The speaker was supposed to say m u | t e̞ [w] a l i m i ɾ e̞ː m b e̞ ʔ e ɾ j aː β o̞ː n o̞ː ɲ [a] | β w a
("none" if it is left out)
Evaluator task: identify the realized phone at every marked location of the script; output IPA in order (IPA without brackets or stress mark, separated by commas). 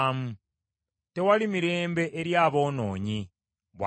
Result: w, i